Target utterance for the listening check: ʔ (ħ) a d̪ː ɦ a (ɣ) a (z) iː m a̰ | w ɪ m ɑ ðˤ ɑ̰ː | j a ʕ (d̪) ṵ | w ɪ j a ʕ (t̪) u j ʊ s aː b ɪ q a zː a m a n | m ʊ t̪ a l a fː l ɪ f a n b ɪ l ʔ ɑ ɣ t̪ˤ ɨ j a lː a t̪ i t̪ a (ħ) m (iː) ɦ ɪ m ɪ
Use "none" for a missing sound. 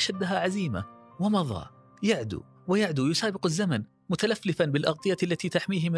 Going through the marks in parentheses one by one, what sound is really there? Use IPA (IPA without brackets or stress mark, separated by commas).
ʃ, ʕ, z, d̪, d̪, ħ, iː